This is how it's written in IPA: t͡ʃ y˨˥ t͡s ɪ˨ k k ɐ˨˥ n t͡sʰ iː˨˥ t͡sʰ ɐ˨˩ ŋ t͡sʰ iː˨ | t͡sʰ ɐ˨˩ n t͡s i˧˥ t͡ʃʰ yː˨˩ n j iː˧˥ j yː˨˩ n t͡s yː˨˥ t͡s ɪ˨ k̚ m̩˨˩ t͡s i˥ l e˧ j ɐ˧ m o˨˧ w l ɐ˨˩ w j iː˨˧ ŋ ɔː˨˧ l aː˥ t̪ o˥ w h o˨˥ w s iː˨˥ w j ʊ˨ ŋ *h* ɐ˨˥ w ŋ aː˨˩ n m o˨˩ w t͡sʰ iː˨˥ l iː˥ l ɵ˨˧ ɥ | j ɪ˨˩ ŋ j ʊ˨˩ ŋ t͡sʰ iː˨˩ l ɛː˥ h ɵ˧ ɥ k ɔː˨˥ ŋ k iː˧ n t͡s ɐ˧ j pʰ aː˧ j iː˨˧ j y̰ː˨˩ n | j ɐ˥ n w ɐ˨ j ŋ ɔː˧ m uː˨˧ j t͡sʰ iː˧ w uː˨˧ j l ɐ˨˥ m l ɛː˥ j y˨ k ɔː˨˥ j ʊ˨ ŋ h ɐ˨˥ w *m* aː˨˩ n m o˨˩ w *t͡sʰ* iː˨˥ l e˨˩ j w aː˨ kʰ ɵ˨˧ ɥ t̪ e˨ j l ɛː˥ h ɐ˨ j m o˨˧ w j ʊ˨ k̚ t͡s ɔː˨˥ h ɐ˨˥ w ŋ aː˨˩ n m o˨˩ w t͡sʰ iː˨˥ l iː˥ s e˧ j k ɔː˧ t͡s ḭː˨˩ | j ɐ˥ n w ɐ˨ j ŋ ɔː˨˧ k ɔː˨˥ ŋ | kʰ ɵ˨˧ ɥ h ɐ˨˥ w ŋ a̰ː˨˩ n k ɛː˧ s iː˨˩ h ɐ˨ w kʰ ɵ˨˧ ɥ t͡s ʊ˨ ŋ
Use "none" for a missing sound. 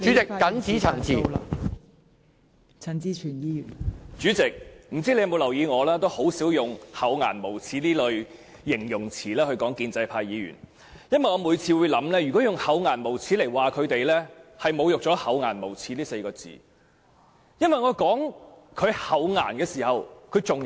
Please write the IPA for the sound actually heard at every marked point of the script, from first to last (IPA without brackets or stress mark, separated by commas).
h, ŋ, t͡sʰ